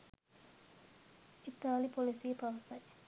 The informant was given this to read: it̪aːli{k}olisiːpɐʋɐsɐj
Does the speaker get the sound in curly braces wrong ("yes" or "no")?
yes